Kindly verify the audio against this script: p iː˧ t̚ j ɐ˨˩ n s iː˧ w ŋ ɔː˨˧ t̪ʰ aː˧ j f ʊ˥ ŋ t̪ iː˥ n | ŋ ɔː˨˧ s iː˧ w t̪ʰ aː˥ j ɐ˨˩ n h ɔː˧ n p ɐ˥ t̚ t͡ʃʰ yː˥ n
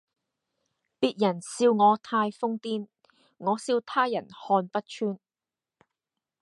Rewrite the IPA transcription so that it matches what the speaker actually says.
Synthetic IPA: p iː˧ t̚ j ɐ˨˩ n s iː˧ w ŋ ɔː˨˧ t̪ʰ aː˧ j f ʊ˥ ŋ t̪ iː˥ n | ŋ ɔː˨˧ s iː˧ w t̪ʰ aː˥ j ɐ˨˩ n h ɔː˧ n p ɐ˥ t̚ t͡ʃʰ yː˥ n